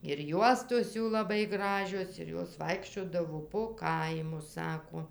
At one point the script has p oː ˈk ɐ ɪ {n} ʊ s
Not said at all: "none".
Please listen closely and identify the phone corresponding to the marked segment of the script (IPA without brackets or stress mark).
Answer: m